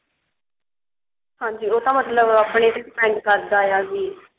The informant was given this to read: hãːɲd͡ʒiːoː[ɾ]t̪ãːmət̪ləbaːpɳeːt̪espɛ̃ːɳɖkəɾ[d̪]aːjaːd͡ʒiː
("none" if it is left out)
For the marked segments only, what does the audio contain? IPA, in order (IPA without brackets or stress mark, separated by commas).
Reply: none, d̪